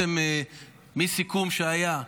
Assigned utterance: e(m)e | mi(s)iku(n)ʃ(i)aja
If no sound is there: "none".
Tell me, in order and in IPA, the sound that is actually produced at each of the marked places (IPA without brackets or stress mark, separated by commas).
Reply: m, s, m, e